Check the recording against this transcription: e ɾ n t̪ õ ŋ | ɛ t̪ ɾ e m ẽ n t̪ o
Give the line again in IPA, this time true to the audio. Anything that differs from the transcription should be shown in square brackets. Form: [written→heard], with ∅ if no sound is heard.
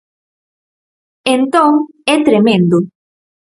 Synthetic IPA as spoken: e [ɾ→∅] n t̪ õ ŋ | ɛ t̪ ɾ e m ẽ n [t̪→d̪] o